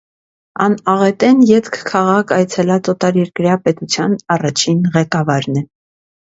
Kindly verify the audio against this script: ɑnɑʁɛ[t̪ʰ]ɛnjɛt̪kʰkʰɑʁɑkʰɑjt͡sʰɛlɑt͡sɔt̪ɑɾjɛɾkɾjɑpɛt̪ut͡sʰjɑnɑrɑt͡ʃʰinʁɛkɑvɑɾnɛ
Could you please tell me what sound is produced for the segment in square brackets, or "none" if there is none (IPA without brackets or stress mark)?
t̪